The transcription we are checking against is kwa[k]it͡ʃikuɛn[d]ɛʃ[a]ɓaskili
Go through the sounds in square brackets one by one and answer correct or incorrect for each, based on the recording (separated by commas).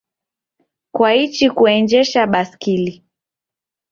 incorrect, incorrect, correct